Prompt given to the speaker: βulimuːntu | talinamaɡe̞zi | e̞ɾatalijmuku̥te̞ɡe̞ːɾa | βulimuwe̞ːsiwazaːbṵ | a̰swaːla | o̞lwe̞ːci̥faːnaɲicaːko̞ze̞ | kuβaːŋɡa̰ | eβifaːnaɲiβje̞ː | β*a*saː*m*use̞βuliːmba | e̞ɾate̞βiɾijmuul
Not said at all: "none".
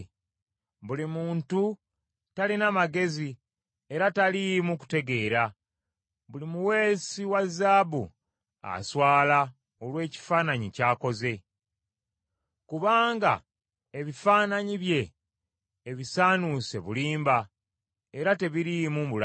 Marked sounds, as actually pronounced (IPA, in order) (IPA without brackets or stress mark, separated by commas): i, n